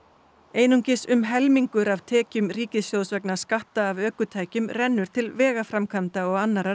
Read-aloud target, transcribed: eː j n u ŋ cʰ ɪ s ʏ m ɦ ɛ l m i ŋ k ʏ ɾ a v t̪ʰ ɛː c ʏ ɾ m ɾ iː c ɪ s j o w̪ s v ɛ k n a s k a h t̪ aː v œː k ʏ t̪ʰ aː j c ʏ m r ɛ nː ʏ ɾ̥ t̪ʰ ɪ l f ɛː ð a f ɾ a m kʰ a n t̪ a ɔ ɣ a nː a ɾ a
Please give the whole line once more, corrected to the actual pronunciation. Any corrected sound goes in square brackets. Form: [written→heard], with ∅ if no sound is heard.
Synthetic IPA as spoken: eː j n u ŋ [cʰ→c] ɪ s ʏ m ɦ ɛ l m i ŋ k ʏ ɾ a v t̪ʰ ɛː c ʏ [ɾ→∅] m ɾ iː c ɪ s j o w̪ s v ɛ k n a s k a h t̪ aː v œː k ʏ t̪ʰ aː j c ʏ m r ɛ nː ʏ ɾ̥ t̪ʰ ɪ l [f→v] ɛː [ð→ɣ] a f ɾ a m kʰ a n t̪ a ɔ ɣ a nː a ɾ a